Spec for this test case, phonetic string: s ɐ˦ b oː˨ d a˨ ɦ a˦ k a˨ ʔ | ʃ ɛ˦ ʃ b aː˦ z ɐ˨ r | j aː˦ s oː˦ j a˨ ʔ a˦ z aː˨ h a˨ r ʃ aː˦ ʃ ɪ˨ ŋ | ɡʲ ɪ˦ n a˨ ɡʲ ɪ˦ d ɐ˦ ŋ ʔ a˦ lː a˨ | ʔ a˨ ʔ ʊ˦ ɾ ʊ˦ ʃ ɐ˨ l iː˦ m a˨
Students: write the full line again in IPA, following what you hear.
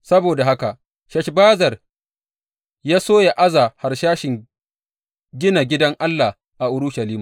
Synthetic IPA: s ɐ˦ b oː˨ d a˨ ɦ a˦ k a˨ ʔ | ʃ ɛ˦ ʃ b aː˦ z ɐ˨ r | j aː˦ s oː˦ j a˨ ʔ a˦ z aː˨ h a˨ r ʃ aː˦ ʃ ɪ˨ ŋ | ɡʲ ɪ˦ n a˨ ɡʲ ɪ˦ d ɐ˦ ŋ ʔ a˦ lː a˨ | ʔ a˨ ʔ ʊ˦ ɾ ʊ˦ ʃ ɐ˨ l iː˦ m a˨